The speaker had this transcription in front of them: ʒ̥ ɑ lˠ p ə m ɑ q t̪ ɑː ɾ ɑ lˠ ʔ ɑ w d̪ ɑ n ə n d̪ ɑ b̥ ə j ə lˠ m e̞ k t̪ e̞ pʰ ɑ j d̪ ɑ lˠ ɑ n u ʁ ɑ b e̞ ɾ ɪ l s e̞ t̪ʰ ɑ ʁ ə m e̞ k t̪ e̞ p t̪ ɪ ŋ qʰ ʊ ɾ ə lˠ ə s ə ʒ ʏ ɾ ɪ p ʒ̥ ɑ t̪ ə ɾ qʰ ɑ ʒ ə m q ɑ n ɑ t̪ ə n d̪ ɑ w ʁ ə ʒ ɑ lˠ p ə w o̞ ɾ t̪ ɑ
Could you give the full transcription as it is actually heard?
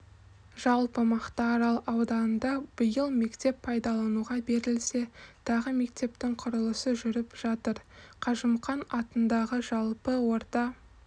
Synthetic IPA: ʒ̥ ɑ lˠ p ə m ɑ q t̪ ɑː ɾ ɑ lˠ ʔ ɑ w d̪ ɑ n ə n d̪ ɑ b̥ ə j ə lˠ m e̞ k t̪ e̞ pʰ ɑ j d̪ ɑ lˠ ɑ n u ʁ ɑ b e̞ ɾ ɪ l s e̞ t̪ʰ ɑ ʁ ə m e̞ k t̪ e̞ p t̪ ɪ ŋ qʰ ʊ ɾ ə lˠ ə s ə ʒ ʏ ɾ ɪ p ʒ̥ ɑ t̪ ə ɾ qʰ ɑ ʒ ə m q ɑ n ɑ t̪ ə n d̪ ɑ ʁ ə ʒ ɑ lˠ p ə w o̞ ɾ t̪ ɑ